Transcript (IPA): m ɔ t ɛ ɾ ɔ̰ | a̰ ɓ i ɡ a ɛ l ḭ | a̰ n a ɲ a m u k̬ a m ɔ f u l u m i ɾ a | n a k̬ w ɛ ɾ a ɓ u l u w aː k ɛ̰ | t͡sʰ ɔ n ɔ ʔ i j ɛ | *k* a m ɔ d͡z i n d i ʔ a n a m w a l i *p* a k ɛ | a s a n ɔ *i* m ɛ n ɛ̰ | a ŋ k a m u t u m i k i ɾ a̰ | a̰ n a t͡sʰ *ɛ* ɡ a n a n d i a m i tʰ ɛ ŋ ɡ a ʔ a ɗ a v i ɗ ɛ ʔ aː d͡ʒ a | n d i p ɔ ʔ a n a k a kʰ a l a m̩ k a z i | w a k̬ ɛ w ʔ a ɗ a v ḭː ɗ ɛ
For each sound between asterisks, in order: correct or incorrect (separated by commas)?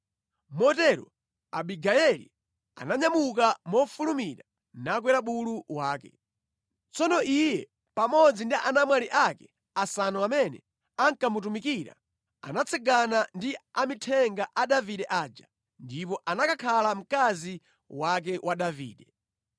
incorrect, incorrect, incorrect, correct